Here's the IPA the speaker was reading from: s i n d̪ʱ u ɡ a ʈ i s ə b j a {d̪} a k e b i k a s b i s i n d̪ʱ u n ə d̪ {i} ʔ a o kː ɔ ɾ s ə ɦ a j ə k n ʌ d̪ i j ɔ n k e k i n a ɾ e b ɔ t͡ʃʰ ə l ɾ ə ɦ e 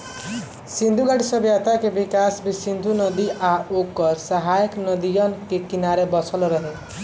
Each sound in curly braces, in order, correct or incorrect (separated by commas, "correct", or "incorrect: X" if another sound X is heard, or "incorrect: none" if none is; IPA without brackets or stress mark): incorrect: t̪, correct